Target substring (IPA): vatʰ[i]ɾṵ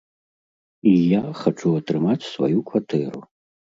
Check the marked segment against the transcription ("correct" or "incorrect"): incorrect